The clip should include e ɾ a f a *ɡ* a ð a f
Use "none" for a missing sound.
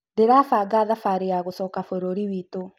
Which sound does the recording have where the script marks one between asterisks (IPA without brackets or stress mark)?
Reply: ɡ